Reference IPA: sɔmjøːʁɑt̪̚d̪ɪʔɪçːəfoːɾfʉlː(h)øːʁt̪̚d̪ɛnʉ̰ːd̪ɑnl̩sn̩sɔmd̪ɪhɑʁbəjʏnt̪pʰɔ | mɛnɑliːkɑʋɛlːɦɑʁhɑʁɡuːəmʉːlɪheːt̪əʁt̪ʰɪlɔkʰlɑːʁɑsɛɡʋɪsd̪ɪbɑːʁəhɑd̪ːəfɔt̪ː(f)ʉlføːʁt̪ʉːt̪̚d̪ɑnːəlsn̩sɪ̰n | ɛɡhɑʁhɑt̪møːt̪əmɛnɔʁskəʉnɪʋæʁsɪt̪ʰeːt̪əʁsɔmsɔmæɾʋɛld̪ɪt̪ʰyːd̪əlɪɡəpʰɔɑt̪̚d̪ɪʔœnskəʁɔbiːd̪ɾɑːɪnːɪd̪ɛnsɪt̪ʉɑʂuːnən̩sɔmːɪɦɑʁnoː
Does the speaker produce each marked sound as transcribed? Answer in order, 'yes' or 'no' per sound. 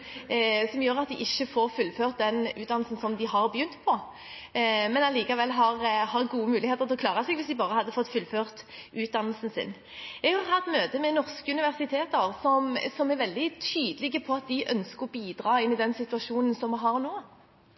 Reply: no, yes

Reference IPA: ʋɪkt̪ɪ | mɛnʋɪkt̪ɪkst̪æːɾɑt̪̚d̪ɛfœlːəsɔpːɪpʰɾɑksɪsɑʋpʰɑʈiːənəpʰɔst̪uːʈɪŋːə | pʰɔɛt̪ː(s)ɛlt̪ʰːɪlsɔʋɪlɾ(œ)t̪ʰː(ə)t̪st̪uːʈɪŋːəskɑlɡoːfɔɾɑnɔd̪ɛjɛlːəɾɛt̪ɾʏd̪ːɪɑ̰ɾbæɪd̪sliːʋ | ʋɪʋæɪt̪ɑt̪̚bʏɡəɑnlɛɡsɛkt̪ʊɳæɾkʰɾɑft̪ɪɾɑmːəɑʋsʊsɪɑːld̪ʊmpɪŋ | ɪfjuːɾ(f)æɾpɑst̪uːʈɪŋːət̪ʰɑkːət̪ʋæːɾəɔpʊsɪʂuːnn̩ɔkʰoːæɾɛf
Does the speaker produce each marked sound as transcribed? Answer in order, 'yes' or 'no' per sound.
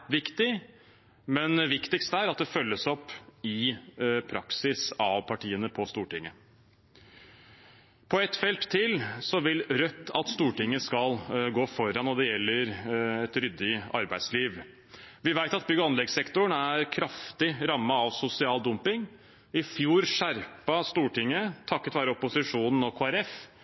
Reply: no, yes, no, no

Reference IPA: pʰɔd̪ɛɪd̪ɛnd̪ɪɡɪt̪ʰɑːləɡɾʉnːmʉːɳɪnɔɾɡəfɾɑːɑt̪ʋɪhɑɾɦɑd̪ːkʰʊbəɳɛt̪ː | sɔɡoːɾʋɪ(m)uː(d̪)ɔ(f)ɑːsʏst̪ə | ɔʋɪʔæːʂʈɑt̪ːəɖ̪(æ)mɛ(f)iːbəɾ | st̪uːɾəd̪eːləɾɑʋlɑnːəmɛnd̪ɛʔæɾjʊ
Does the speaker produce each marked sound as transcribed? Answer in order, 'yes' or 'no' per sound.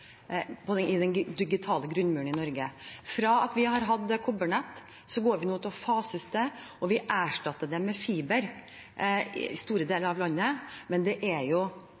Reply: no, no, yes, no, yes

